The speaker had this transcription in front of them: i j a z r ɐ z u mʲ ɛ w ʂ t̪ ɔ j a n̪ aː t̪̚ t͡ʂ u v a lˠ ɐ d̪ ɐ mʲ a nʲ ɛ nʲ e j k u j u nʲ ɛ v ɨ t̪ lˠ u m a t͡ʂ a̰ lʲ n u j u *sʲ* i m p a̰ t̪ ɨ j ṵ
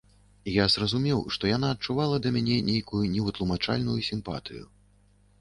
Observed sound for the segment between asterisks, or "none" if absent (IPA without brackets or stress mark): sʲ